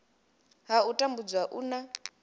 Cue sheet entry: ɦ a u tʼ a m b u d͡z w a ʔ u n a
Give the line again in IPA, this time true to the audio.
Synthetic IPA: ɦ a u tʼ a m b u d͡z w a ʔ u n a